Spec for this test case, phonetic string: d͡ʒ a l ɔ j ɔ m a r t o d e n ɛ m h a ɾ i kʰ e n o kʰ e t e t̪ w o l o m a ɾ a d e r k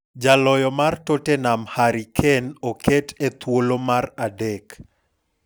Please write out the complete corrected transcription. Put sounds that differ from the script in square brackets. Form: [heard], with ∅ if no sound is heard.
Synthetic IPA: d͡ʒ a l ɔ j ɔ m a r t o [t] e n [a] m h a ɾ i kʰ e n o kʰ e t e t̪ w o l o m a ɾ a d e [∅] k